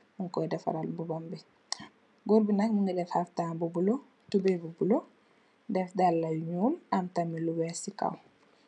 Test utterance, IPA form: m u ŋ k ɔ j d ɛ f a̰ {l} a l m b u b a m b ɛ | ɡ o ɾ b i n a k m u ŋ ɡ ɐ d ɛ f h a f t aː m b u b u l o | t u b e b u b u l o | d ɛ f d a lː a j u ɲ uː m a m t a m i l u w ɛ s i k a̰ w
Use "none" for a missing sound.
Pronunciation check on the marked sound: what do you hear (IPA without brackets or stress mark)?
ɾ